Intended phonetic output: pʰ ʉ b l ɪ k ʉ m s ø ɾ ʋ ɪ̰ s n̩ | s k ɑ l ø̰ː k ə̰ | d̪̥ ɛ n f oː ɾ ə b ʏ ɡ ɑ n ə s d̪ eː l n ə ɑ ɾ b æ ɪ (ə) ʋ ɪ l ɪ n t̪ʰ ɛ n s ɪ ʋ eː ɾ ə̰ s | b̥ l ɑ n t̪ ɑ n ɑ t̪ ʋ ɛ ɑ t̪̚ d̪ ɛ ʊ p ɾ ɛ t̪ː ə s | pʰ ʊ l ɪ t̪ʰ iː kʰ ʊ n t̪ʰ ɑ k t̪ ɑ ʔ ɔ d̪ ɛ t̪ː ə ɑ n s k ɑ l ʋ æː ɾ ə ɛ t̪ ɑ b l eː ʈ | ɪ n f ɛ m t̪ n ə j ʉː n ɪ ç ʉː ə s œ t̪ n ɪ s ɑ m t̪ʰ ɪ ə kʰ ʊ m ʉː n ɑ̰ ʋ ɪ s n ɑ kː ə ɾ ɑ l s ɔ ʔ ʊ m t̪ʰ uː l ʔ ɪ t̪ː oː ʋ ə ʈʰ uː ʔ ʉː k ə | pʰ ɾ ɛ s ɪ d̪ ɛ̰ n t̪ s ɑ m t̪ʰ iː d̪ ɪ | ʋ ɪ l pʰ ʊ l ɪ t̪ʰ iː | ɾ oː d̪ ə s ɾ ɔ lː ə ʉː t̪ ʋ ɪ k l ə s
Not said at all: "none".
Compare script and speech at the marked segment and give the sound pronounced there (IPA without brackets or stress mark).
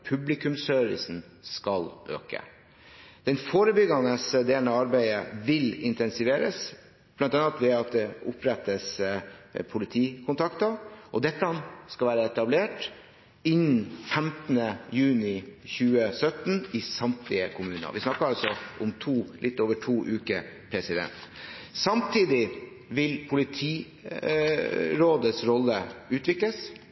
ə